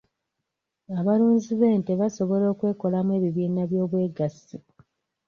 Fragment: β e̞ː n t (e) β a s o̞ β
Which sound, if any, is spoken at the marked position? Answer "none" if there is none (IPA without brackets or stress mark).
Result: e